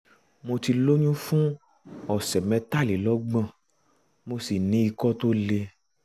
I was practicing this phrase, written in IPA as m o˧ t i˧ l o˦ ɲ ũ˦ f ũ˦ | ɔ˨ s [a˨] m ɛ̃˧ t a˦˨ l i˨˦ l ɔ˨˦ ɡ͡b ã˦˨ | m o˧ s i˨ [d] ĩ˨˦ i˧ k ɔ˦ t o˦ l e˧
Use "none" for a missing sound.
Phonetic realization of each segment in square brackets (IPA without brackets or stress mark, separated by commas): ɛ˨, n